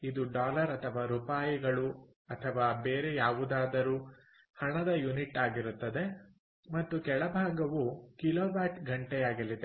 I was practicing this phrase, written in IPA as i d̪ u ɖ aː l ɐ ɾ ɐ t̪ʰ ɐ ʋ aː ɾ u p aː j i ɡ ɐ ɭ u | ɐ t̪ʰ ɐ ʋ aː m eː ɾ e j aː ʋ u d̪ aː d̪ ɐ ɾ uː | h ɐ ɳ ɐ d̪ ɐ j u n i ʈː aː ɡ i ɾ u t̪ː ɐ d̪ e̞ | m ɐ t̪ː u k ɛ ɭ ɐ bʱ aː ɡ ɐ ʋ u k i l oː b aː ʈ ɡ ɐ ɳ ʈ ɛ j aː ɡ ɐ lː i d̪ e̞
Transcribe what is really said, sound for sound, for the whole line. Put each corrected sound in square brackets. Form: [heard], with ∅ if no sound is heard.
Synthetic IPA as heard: i d̪ u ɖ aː l ɐ ɾ ɐ t̪ʰ ɐ ʋ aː ɾ u p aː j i ɡ ɐ ɭ u | ɐ t̪ʰ ɐ ʋ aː [b] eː ɾ e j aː ʋ u d̪ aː d̪ ɐ ɾ uː | h ɐ ɳ ɐ d̪ ɐ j u n i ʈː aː ɡ i ɾ u t̪ː ɐ d̪ e̞ | m ɐ t̪ː u k ɛ ɭ ɐ bʱ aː ɡ ɐ ʋ u k i l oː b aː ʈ ɡ ɐ ɳ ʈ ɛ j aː ɡ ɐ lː i d̪ e̞